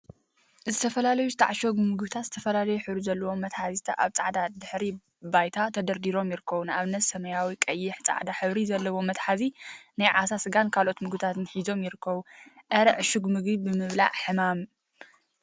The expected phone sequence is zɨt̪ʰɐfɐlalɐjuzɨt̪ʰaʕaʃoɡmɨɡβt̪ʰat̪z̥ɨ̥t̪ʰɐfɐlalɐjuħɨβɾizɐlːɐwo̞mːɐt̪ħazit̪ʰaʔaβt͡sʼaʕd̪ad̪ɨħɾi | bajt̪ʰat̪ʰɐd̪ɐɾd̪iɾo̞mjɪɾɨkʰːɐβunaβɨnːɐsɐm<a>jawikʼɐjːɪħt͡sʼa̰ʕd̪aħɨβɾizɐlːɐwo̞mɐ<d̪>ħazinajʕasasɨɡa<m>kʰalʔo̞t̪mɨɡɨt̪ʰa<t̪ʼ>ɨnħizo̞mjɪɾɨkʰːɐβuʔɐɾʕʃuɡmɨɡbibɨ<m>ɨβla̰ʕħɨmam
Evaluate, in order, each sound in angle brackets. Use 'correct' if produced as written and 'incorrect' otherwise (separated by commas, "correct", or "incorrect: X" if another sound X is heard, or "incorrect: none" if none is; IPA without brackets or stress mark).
incorrect: ɐ, incorrect: t̪, incorrect: n, incorrect: t̪, correct